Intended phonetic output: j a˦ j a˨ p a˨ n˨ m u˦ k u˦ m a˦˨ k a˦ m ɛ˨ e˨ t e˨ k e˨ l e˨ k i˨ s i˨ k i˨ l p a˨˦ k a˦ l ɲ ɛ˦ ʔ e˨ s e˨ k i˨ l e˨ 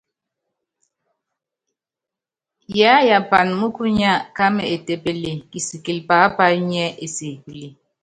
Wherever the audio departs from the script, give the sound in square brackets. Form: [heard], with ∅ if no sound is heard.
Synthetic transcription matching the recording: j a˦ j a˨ p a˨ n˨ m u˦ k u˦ [ɲ] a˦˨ k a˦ m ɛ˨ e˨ t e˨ [p] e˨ l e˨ k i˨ s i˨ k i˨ l p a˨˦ [p] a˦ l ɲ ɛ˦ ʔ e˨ s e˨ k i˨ l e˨